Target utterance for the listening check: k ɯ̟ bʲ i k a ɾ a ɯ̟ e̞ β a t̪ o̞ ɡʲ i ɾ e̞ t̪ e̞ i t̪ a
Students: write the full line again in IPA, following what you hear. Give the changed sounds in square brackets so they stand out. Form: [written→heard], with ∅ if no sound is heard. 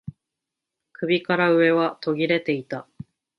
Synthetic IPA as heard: k ɯ̟ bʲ i k a ɾ a ɯ̟ e̞ β a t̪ o̞ ɡʲ i ɾ e̞ t̪ e̞ i t̪ a